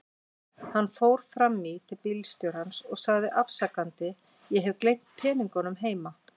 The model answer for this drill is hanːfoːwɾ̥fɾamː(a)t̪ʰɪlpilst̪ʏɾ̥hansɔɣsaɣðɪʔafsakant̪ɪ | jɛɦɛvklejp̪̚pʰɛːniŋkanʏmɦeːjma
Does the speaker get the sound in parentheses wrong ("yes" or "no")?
yes